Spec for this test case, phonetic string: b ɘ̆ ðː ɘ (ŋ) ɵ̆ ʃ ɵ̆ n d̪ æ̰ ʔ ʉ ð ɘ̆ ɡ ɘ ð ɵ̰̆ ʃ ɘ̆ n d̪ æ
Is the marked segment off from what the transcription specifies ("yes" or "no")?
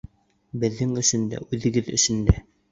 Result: no